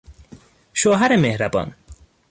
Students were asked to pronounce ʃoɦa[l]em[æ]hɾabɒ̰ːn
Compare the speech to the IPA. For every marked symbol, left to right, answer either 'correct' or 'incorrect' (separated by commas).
incorrect, incorrect